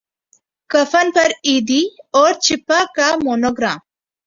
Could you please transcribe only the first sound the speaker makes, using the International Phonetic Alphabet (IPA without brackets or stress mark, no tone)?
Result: k